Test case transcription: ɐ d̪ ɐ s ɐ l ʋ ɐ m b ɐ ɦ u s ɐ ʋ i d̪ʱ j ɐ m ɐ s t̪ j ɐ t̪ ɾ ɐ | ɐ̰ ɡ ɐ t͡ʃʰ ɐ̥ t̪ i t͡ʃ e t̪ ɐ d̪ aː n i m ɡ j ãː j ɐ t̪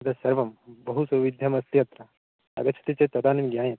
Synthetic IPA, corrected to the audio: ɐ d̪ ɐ s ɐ ɾ ʋ ɐ m b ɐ ɦ u s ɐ ʋ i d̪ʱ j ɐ m ɐ s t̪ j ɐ t̪ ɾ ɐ | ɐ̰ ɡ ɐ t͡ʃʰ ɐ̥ t̪ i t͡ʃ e t̪ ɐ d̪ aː n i m ɡ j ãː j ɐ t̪